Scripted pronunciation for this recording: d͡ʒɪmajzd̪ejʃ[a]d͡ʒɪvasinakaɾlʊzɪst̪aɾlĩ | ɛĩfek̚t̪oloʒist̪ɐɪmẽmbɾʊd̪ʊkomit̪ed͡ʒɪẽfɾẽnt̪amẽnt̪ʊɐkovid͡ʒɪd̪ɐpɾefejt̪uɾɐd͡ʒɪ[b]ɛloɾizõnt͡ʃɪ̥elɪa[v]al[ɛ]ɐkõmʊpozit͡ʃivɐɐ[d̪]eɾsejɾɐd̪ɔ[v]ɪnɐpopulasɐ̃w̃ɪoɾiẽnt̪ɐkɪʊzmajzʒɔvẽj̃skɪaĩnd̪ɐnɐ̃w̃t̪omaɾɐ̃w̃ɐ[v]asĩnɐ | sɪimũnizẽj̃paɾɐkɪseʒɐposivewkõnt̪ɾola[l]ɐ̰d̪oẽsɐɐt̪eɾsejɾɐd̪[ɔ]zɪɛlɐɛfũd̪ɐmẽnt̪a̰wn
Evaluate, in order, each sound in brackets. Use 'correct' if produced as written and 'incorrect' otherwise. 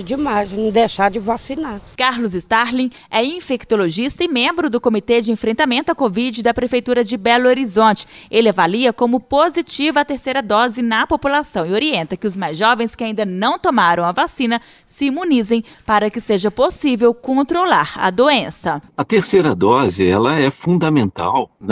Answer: correct, correct, correct, incorrect: i, incorrect: t̪, incorrect: z, correct, incorrect: ɾ, correct

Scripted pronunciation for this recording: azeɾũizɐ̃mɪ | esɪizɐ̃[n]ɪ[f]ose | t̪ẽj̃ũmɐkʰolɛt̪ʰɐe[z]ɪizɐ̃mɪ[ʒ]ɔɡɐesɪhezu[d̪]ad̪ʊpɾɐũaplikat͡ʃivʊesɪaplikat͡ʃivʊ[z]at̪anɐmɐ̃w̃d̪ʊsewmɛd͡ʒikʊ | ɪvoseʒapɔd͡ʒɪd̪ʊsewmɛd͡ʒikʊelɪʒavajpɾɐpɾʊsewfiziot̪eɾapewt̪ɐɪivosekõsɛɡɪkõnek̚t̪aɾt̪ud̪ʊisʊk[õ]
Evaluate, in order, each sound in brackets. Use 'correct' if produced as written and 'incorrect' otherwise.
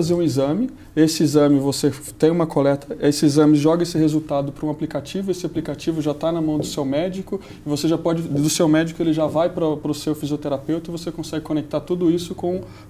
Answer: incorrect: m, incorrect: v, incorrect: s, correct, incorrect: t̪, incorrect: ʒ, correct

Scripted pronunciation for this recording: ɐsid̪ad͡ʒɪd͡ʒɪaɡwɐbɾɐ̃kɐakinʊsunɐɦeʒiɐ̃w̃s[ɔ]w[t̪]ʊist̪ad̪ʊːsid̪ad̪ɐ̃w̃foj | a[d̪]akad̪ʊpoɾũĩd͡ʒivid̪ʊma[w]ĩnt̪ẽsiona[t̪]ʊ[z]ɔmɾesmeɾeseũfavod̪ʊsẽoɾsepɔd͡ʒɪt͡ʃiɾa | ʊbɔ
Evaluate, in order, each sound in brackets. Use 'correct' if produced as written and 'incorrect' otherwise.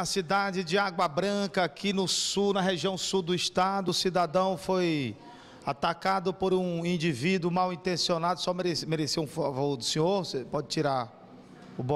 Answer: incorrect: u, incorrect: d̪, incorrect: t̪, correct, incorrect: d̪, incorrect: s

